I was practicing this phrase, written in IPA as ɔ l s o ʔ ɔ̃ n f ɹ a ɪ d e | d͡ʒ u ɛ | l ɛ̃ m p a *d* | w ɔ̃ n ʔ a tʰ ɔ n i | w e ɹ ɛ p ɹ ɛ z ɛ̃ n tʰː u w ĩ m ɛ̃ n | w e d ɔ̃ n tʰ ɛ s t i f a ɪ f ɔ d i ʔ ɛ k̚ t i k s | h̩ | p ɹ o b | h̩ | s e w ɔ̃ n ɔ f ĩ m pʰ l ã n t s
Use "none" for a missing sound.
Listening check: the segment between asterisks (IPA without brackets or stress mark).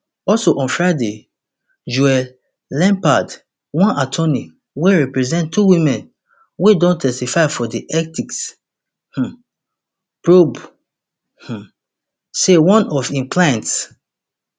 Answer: d